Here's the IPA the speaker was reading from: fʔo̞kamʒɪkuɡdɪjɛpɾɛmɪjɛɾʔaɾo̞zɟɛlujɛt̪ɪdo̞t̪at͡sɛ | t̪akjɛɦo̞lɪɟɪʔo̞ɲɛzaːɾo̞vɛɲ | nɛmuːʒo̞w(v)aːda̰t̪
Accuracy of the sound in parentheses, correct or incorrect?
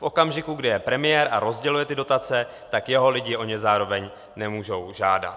incorrect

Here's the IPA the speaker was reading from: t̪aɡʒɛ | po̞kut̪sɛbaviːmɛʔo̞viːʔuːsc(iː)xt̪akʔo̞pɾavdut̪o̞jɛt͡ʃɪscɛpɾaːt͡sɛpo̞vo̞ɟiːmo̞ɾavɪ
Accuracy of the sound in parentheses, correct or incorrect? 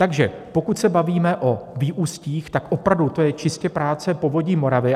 correct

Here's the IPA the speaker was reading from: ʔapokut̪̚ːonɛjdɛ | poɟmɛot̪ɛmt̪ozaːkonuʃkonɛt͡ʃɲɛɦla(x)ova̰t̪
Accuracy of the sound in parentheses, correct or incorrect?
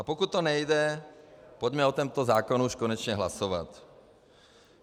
incorrect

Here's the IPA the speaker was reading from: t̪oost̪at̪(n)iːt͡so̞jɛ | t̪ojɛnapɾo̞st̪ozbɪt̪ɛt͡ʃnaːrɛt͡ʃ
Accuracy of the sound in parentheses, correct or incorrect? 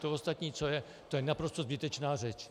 incorrect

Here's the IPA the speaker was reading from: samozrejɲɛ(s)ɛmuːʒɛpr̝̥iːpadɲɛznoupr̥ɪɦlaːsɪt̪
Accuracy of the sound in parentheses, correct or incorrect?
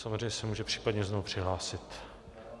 correct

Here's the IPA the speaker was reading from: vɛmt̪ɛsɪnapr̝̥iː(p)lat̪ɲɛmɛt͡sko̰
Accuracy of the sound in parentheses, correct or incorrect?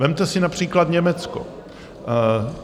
incorrect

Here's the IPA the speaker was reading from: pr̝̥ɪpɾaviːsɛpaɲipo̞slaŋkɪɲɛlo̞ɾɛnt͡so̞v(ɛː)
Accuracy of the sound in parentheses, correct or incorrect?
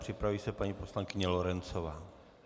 incorrect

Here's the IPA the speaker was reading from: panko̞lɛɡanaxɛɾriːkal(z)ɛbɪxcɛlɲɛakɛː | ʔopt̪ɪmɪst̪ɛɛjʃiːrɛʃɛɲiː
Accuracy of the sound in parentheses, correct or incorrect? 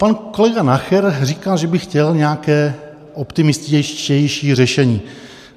incorrect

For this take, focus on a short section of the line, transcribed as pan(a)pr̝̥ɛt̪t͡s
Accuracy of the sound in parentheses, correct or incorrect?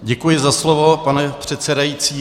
incorrect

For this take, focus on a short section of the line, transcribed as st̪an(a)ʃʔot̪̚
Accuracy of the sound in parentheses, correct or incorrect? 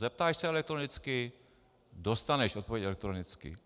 incorrect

